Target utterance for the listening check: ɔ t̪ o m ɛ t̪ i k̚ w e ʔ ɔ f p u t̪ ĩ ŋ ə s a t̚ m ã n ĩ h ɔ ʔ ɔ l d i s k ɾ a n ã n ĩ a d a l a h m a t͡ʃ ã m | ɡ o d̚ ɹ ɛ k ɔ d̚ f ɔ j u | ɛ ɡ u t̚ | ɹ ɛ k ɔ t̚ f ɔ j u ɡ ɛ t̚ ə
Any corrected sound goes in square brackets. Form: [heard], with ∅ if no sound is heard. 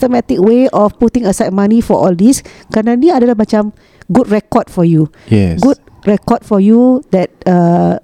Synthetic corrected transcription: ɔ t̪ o m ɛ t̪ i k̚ w e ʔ ɔ f p u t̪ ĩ ŋ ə s a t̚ m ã n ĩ [f] ɔ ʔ ɔ l d i s k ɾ a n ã n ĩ a d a l a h m a t͡ʃ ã m | ɡ [u] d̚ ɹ ɛ k ɔ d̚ f ɔ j u | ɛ ɡ u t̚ | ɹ ɛ k ɔ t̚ f ɔ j u [d] ɛ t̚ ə